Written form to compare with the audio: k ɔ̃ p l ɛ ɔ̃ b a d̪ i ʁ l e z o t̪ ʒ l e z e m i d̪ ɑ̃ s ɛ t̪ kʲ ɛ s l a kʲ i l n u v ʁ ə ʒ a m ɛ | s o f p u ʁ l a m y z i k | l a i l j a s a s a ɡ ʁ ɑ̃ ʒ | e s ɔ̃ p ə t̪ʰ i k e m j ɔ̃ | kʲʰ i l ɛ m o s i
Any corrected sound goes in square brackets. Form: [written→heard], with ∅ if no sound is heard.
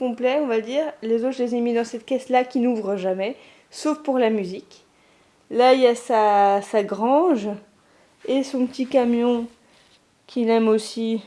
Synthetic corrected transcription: k ɔ̃ p l ɛ ɔ̃ [b→v] a d̪ i ʁ l e z o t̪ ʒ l e z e m i d̪ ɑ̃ s ɛ t̪ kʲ ɛ s l a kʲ i [l→∅] n u v ʁ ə ʒ a m ɛ | s o f p u ʁ l a m y z i k | l a i l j a s a s a ɡ ʁ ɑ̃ ʒ | e s ɔ̃ p ə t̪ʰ i k [e→a] m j ɔ̃ | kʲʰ i l ɛ m o s i